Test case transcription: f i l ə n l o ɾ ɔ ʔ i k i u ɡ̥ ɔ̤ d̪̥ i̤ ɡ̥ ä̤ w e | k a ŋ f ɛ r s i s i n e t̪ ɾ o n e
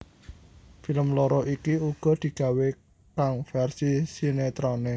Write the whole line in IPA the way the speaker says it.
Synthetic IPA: f i l ə m l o ɾ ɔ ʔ i k i u ɡ̥ ɔ̤ d̪̥ i̤ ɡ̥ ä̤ w e | k a ŋ f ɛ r s i s i n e t̪ ɾ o n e